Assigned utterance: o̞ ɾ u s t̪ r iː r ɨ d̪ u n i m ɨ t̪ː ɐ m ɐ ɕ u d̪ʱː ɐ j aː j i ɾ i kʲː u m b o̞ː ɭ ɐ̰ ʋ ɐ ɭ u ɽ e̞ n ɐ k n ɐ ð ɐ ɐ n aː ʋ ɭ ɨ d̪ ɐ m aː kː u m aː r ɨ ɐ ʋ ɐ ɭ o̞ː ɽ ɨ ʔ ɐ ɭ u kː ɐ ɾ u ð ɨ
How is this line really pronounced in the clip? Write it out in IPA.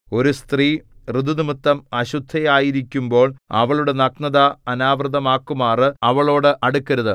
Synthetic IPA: o̞ ɾ u s t̪ r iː r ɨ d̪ u n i m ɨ t̪ː ɐ m ɐ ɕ u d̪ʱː ɐ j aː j i ɾ i kʲː u m b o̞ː ɭ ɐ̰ ʋ ɐ ɭ u ɽ e̞ n ɐ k n ɐ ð ɐ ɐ n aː ʋ r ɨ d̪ ɐ m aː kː u m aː r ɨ ɐ ʋ ɐ ɭ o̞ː ɽ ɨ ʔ ɐ ɽ u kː ɐ ɾ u ð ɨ